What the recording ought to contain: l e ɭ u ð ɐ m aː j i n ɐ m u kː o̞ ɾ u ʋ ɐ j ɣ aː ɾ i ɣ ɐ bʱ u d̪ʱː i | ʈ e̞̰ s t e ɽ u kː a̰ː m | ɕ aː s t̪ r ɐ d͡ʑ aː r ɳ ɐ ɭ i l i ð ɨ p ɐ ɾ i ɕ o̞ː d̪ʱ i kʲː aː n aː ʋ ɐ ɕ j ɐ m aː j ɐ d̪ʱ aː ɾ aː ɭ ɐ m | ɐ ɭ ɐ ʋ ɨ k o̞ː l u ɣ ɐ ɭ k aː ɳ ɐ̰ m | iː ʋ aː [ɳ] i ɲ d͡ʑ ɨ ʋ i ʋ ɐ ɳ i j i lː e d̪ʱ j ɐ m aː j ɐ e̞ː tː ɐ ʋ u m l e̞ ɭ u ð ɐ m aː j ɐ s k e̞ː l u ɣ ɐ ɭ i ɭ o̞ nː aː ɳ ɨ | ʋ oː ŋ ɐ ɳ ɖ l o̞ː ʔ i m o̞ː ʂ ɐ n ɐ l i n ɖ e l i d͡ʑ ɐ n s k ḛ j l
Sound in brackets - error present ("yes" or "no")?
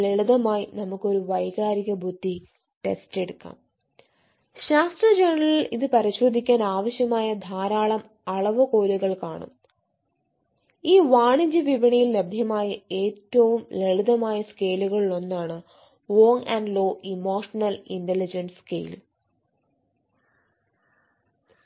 no